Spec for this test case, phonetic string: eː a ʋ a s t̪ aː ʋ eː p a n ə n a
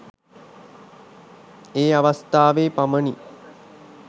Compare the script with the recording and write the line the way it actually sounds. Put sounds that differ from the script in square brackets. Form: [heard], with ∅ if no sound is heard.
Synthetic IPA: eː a ʋ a s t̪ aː ʋ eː p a [m] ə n [i]